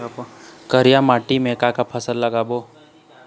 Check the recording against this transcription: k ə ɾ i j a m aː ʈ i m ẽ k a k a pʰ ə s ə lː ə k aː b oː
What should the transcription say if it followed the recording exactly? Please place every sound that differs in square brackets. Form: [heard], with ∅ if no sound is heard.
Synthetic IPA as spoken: k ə ɾ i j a m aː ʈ i m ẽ k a k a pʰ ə s ə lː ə [ɡ] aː b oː